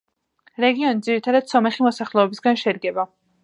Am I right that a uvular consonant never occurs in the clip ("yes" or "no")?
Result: no